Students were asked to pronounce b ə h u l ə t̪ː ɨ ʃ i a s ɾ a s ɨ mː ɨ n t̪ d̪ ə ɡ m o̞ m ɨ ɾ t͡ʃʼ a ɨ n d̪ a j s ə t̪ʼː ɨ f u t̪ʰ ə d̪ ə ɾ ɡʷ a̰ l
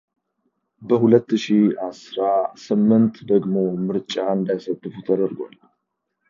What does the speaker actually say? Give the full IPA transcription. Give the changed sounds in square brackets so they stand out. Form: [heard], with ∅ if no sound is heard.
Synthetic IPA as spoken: b ə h u l ə t̪ː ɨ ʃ i a s ɾ a s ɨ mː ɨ n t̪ d̪ ə ɡ m o̞ m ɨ ɾ t͡ʃʼ a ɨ n d̪ a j s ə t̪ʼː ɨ f u t̪ʰ ə d̪ ə ɾ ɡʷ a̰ l